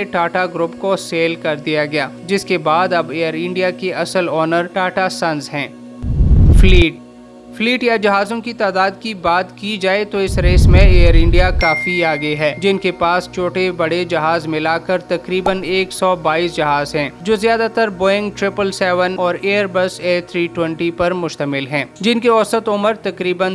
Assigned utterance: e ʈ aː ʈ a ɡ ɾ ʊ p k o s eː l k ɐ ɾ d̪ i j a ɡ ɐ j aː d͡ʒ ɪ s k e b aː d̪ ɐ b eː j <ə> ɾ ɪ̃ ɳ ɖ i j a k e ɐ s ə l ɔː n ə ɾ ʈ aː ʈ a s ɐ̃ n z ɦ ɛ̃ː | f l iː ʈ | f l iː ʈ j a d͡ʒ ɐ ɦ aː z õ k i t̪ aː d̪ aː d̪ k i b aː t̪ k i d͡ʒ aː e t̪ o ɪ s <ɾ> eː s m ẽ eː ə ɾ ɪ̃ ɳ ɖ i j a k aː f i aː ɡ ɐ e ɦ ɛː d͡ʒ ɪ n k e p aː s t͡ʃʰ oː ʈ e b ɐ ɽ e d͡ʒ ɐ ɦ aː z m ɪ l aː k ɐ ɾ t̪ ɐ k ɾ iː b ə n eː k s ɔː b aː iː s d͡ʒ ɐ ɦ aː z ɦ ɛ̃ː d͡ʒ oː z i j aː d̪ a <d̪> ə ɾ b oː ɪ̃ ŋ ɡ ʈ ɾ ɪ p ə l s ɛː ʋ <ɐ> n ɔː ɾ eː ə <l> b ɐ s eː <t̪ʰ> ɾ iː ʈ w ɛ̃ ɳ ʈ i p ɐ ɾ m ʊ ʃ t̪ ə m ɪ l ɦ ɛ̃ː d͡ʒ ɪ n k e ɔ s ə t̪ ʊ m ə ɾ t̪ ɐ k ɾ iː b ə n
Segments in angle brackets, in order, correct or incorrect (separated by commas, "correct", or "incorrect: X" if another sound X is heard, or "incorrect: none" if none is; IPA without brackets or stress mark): correct, correct, incorrect: t̪, incorrect: ə, incorrect: ɾ, correct